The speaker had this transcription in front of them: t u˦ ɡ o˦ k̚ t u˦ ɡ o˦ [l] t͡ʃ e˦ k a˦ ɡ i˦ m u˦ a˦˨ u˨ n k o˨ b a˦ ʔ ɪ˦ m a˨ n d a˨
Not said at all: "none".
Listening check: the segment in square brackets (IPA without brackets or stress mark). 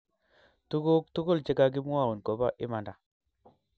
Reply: l